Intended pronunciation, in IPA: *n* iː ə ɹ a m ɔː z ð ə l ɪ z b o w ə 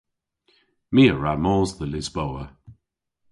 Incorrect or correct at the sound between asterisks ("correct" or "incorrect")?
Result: incorrect